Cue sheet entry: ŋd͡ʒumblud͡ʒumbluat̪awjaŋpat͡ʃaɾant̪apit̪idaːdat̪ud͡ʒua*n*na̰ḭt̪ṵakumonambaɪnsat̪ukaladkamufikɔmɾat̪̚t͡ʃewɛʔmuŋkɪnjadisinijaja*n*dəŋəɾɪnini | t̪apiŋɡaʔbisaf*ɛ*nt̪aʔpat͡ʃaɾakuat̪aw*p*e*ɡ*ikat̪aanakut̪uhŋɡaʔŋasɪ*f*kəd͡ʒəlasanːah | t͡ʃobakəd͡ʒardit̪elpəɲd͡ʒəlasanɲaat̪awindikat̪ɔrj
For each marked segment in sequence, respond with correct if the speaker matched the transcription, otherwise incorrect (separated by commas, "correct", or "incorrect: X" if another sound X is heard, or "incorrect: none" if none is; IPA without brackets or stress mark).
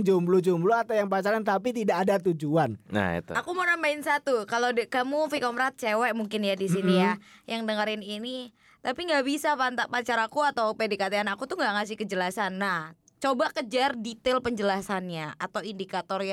correct, incorrect: ŋ, incorrect: a, correct, incorrect: d, incorrect: h